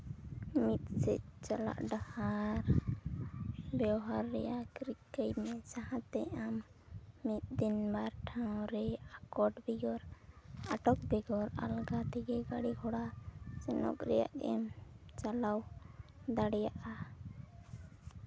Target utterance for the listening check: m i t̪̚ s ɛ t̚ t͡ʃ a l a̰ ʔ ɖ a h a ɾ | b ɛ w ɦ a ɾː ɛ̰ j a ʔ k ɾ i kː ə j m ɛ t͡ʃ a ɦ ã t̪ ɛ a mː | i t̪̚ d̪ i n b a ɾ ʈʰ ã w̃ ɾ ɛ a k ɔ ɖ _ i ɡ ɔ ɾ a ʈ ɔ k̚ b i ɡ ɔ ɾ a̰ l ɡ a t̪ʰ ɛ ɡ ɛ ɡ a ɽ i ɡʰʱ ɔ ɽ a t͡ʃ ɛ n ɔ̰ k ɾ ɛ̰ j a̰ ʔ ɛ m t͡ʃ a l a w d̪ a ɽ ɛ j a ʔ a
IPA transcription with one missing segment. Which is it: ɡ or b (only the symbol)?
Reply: b